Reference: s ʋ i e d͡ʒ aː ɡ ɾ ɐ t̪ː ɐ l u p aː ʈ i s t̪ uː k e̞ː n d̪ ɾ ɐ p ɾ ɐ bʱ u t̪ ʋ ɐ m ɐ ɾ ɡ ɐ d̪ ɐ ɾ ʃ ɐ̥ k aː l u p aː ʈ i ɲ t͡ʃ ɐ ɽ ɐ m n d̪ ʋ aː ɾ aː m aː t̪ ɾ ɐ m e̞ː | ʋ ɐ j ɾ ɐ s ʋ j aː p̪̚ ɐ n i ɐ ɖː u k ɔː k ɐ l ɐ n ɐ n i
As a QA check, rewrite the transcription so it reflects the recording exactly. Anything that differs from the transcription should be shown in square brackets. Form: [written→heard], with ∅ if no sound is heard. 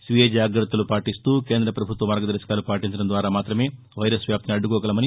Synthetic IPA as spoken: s ʋ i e d͡ʒ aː ɡ ɾ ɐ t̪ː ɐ l u p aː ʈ i s t̪ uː k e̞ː n d̪ ɾ ɐ p ɾ ɐ bʱ u t̪ ʋ ɐ m ɐ ɾ ɡ ɐ d̪ ɐ ɾ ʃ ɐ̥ k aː l u p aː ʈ i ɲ t͡ʃ ɐ ɽ ɐ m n d̪ ʋ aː ɾ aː m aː t̪ ɾ ɐ m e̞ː | ʋ ɐ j ɾ ɐ s ʋ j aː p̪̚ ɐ n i ɐ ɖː u k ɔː k ɐ l ɐ [n→m] ɐ n i